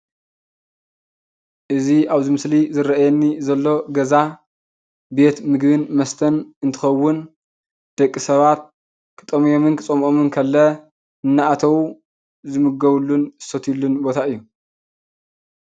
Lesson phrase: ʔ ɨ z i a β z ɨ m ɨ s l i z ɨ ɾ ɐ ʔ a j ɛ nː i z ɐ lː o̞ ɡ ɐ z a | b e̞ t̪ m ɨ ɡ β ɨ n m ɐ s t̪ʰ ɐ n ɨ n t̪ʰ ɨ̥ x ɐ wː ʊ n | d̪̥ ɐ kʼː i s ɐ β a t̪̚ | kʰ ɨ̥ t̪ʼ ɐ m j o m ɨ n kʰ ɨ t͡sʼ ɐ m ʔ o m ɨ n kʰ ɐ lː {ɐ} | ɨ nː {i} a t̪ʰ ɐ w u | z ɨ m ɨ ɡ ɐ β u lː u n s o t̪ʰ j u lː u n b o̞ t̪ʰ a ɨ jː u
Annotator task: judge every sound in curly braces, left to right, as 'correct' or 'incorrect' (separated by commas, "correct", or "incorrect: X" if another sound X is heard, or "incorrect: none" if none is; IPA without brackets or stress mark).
correct, incorrect: a